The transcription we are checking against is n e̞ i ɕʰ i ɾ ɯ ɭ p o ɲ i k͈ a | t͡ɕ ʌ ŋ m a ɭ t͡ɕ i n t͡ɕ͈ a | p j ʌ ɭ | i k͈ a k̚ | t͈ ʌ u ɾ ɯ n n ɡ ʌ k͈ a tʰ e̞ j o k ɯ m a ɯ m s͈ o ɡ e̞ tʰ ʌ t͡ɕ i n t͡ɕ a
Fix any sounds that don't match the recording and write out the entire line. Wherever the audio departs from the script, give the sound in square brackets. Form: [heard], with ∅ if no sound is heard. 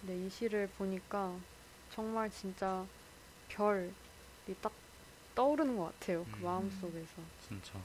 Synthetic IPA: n e̞ i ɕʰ i ɾ ɯ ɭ p o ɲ i k͈ a | t͡ɕ ʌ ŋ m a ɭ t͡ɕ i n t͡ɕ͈ a | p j ʌ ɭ | i [t͈] a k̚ | t͈ ʌ u ɾ ɯ n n ɡ ʌ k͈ a tʰ e̞ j o k ɯ m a ɯ m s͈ o ɡ e̞ [sʰ] ʌ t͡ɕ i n t͡ɕ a